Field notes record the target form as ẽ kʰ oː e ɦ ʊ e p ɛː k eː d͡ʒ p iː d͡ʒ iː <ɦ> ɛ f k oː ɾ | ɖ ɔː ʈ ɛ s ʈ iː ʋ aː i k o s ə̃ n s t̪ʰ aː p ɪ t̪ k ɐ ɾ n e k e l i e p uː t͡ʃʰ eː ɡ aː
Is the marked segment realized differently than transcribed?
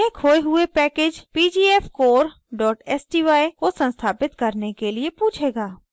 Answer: yes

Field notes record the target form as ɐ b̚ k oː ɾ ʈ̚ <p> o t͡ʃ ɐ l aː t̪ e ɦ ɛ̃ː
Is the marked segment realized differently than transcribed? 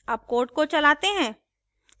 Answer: yes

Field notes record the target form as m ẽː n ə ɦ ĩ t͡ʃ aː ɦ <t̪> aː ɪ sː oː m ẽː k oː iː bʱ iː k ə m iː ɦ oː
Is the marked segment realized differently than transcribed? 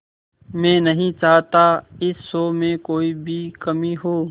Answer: no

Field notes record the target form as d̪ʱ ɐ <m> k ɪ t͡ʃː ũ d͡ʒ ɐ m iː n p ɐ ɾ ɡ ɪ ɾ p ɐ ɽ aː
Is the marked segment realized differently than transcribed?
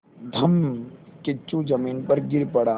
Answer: no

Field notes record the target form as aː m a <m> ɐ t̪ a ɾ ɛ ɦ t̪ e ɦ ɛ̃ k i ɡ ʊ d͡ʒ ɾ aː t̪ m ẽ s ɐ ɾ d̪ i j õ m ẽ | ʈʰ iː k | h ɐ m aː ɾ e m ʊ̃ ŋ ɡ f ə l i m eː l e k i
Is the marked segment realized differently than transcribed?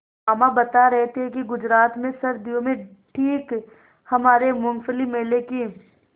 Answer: yes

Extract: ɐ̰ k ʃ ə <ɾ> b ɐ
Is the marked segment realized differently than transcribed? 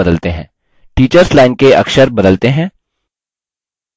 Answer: no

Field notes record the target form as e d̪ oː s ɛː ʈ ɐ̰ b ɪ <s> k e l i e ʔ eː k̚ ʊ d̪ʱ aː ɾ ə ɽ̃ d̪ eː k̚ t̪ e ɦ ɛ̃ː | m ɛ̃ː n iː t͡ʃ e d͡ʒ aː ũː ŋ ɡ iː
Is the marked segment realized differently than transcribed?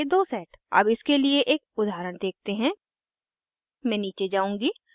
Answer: no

